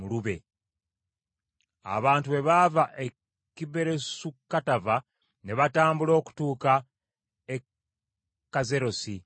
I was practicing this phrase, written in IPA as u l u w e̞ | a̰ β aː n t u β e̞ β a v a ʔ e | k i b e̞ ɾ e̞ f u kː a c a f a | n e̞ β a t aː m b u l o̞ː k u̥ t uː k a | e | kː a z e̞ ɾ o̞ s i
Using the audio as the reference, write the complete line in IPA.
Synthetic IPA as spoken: u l u β e̞ | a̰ β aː n t u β e̞ β a v a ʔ e | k i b e̞ ɾ e̞ s u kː a t a v a | n e̞ β a t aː m b u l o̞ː k u̥ t uː k a | e | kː a z e̞ ɾ o̞ s i